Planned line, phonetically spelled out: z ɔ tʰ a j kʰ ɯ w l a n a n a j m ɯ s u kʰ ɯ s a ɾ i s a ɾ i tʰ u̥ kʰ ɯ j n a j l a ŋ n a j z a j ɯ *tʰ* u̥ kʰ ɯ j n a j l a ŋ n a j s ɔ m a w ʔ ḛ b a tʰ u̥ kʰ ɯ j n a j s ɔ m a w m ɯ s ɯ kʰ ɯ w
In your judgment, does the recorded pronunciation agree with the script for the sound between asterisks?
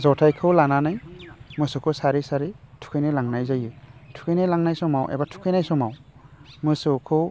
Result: yes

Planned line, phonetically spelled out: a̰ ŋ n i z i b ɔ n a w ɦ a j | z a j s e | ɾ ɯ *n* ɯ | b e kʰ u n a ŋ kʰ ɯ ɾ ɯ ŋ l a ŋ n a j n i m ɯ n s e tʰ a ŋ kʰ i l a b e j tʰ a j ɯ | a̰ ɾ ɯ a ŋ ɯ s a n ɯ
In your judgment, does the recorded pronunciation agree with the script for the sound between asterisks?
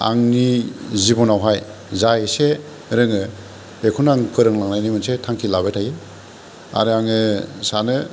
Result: no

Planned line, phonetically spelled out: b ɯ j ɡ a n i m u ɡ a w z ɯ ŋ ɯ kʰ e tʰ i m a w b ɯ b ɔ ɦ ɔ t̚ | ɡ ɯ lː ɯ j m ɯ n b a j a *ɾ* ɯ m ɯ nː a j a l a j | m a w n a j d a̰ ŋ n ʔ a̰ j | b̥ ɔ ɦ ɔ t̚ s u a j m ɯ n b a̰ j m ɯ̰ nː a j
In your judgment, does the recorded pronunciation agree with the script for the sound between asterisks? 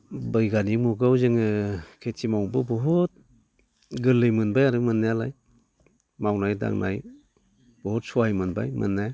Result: yes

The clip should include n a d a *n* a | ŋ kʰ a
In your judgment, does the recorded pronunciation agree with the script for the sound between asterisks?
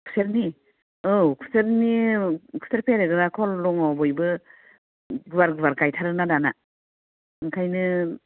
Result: yes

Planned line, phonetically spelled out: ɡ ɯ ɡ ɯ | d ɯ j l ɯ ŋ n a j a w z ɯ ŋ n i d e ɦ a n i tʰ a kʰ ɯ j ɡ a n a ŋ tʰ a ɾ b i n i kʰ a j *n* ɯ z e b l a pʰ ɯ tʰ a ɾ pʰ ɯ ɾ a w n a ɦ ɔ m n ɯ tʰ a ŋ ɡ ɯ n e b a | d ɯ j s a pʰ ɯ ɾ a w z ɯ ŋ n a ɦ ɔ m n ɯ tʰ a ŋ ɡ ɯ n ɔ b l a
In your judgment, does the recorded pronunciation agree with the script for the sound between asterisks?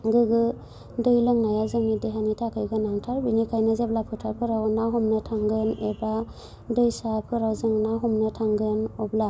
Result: yes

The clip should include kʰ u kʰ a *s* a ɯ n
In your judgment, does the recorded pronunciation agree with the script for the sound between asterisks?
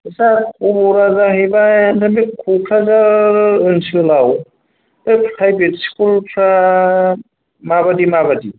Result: no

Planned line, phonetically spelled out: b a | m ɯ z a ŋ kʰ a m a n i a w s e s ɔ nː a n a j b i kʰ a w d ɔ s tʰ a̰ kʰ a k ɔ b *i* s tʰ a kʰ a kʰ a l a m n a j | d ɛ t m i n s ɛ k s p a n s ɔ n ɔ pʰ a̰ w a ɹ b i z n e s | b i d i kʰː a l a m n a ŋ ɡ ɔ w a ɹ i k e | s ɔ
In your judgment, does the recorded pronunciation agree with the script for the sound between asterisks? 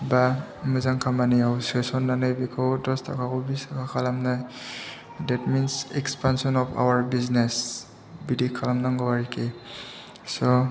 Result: yes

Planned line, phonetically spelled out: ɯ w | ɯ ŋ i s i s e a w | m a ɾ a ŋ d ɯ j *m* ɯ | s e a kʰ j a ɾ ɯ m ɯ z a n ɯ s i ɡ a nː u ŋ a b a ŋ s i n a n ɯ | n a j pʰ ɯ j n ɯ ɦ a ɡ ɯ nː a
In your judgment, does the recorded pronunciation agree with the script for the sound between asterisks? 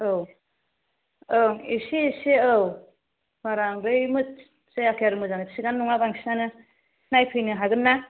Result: yes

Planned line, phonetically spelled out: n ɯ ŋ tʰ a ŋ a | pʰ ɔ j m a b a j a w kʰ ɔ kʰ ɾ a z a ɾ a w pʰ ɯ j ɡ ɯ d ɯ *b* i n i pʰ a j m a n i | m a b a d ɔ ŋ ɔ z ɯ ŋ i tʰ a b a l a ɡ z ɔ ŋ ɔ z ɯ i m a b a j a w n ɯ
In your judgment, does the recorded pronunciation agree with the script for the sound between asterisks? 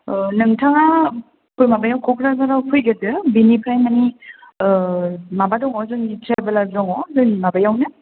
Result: yes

